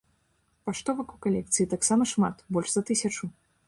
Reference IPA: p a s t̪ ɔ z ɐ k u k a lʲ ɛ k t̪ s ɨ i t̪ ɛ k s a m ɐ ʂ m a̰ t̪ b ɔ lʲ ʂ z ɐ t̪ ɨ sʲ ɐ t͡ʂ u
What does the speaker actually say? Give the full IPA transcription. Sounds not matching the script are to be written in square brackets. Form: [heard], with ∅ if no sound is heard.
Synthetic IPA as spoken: p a [ʂ] t̪ ɔ [v] ɐ k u k a lʲ ɛ k t̪ s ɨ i t̪ [a] k s a m ɐ ʂ m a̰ t̪ b ɔ lʲ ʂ z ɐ t̪ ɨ sʲ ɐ t͡ʂ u